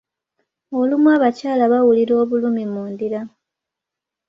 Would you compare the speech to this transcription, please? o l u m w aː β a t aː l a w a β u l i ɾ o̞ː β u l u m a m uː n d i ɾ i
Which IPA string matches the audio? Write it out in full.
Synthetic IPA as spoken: o l u m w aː β a c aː l a β a w u l i ɾ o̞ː β u l u m i m uː n d i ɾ a

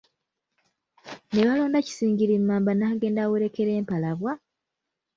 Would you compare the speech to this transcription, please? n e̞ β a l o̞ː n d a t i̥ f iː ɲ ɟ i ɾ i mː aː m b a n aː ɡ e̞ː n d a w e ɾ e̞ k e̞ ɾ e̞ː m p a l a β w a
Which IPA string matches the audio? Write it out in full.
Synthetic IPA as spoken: n e̞ β a l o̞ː n d a c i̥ s iː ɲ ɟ i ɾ i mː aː m b a n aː ɡ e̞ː n d a w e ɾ e̞ k e̞ ɾ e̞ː m p a l a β w a

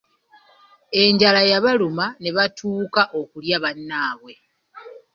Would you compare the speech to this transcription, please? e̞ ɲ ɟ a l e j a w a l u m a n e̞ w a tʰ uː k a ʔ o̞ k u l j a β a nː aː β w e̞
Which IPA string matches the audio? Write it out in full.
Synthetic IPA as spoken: e̞ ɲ ɟ a l a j a β a l u m a n e̞ β a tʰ uː k a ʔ o̞ k u l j a β a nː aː β w e̞

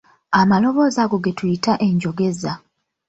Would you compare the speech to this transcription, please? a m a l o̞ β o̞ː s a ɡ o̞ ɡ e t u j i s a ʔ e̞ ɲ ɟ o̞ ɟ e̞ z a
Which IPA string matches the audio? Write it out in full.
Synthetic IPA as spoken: a m a l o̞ β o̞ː z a ɡ o̞ ɡ e t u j i t a ʔ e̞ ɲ ɟ o̞ ɡ e̞ z a

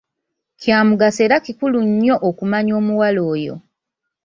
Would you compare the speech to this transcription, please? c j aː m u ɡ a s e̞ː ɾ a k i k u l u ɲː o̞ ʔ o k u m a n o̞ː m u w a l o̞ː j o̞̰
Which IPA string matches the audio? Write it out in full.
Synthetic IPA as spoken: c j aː m u ɡ a s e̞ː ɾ a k i k u l u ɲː o̞ ʔ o k u m a ɲ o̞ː m u w a l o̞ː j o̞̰

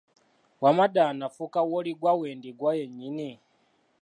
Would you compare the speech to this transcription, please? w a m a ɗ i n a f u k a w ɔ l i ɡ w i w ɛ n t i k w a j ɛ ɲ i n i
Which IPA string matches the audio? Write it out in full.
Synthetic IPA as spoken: w a m a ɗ a n a f u k a w ɔ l i ɡ w a w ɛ n d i ɡ w a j ɛ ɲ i n i

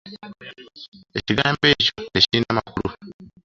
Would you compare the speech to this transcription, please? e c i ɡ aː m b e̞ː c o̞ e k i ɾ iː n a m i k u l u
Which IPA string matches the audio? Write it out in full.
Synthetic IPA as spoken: e c i ɡ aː m b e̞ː c o̞ e c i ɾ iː n a m a k u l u

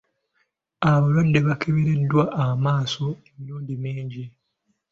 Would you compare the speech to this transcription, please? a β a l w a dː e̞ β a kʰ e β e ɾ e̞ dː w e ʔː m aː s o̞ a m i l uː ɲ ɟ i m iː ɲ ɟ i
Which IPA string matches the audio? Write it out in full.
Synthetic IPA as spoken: a β a l w a dː e̞ β a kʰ e β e ɾ e̞ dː w a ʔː m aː s o̞ e m i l uː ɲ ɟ i m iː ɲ ɟ i

